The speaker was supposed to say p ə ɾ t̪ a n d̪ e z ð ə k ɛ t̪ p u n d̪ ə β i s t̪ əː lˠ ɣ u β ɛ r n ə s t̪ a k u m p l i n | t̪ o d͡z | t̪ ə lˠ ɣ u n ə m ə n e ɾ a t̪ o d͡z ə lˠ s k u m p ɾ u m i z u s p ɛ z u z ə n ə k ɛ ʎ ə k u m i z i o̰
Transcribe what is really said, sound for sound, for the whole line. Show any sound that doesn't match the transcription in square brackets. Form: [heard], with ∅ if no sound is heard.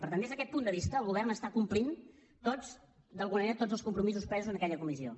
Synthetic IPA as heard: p ə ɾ t̪ a n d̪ e z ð ə k ɛ t̪ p u n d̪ ə β i s t̪ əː lˠ ɣ u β ɛ r n ə s t̪ a k u m p l i n | t̪ o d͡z | [d̪] ə lˠ ɣ u n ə m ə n e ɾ [ə] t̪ o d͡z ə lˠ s k u m p ɾ u m i z u s p ɛ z u z ə n ə k ɛ ʎ ə k u m i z i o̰

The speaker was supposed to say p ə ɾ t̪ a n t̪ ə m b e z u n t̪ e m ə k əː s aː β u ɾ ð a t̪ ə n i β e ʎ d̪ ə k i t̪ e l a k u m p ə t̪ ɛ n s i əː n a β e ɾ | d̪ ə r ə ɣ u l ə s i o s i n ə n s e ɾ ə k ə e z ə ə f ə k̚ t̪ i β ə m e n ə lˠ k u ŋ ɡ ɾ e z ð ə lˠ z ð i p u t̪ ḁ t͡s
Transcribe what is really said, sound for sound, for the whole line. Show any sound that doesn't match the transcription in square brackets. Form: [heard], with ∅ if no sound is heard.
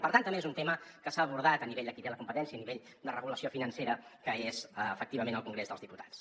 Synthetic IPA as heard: p ə ɾ t̪ a n t̪ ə m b e z u n t̪ e m ə k [ə] s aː β u ɾ ð a t̪ ə n i β e ʎ d̪ ə k i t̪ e l [ə] k u m p ə t̪ ɛ n s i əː n [i] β e [ʎ] | d̪ ə r ə ɣ u l ə s i o [f] i n ə n s e ɾ ə k ə e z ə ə f ə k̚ t̪ i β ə m e n ə lˠ k u ŋ ɡ ɾ e z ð ə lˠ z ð i p u t̪ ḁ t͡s

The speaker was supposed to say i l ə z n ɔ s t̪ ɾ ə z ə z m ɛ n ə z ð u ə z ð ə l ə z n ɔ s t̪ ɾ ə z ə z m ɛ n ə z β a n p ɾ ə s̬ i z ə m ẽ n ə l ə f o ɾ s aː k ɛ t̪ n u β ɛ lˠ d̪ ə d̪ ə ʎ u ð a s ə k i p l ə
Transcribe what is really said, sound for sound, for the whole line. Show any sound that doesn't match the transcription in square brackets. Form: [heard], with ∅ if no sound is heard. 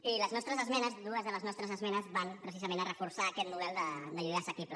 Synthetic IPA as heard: i l ə z n ɔ s t̪ ɾ ə z ə z m ɛ n ə z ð u ə z ð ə l ə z n ɔ s t̪ ɾ ə z ə z m ɛ n ə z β a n p ɾ ə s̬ i z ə m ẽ n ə [r] ə f [u] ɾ s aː k ɛ t̪ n u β ɛ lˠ d̪ ə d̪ ə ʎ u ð a s ə k i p l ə

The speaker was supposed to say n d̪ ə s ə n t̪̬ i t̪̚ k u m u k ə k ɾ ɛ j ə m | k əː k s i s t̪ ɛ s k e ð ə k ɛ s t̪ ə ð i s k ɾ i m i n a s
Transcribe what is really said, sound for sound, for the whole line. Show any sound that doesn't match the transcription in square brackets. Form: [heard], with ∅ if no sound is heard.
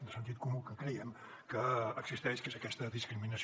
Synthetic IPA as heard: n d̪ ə s ə n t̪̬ i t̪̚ k u m u k ə k ɾ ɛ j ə m | k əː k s i s t̪ ɛ [ʃ] k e [z] ə k ɛ s t̪ ə ð i s k ɾ i m i n [ə] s

